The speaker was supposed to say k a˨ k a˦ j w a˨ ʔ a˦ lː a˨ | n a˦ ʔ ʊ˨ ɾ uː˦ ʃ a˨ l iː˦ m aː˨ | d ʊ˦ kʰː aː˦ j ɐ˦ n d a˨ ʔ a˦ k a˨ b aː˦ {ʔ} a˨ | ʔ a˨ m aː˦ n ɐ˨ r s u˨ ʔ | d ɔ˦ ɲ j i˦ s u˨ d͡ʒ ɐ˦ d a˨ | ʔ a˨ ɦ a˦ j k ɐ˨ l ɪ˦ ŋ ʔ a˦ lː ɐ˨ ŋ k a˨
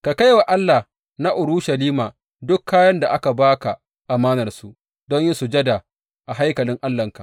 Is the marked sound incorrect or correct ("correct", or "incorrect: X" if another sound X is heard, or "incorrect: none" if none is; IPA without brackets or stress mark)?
incorrect: k